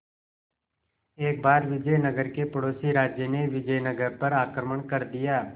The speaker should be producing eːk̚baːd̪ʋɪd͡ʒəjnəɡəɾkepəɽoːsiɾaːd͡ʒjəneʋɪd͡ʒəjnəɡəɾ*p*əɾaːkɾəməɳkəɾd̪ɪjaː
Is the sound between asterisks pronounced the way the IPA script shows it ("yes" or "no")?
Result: yes